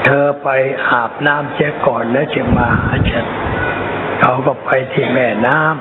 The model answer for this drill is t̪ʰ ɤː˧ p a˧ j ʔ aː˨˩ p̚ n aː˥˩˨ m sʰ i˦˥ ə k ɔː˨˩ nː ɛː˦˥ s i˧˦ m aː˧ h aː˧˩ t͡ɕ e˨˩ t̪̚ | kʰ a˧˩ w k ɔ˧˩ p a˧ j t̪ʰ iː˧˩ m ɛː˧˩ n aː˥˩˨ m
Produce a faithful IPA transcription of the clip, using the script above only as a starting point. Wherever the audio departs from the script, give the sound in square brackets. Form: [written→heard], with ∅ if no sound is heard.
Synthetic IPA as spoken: t̪ʰ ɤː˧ p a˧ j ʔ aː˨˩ p̚ n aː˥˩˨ m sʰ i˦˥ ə k ɔː˨˩ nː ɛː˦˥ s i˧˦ m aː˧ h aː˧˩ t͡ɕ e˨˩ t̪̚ | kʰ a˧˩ w k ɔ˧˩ p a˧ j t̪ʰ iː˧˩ m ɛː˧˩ n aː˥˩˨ m